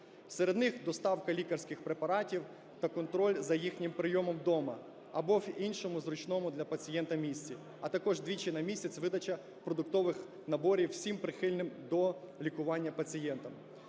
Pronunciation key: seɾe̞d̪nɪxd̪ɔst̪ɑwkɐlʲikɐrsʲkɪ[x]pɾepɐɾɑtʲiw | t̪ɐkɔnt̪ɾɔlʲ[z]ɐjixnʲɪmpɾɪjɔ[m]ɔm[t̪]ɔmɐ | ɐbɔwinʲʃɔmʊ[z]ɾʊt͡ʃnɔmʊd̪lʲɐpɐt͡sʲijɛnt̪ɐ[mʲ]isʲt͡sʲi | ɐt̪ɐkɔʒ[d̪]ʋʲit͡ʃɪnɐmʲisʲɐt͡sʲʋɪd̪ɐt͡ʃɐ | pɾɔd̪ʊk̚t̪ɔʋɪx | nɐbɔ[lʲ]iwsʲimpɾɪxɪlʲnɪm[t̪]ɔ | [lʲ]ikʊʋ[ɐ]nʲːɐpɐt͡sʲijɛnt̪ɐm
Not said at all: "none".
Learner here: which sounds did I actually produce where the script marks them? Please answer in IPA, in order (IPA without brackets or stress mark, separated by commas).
x, z, m, d̪, z, mʲ, d̪, ɾʲ, d̪, lʲ, ɑ